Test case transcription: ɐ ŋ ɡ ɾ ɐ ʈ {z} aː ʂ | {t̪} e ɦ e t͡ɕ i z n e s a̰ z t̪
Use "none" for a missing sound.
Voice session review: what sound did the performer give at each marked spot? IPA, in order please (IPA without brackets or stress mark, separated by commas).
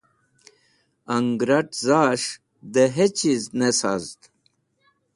z, d̪